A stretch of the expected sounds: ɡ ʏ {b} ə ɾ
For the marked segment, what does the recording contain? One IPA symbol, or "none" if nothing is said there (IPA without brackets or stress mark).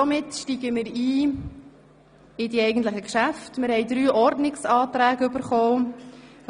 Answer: b